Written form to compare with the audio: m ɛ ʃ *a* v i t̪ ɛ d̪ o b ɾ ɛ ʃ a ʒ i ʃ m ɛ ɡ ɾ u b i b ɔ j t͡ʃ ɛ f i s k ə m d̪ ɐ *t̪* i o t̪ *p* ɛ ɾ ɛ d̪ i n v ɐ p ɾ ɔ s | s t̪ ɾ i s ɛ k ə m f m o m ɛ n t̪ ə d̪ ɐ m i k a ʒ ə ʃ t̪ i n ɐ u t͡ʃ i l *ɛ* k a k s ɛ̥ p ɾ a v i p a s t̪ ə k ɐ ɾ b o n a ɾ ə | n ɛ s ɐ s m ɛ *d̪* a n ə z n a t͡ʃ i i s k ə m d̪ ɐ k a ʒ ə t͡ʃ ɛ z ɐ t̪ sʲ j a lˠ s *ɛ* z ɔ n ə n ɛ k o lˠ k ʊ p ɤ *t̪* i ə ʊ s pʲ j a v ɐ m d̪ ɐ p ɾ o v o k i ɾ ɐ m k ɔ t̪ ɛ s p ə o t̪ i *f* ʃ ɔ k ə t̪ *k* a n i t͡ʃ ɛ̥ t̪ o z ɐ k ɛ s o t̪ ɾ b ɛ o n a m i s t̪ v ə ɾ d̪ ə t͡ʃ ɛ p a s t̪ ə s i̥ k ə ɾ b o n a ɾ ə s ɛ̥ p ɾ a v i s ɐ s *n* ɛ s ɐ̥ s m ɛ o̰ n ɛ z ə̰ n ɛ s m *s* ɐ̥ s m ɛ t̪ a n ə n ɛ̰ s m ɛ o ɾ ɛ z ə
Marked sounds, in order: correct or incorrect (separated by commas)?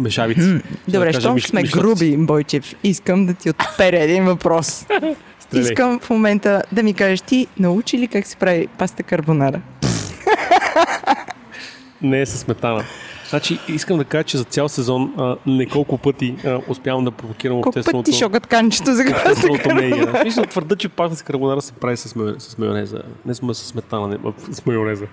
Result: correct, correct, correct, incorrect, incorrect, correct, correct, incorrect, correct, incorrect, correct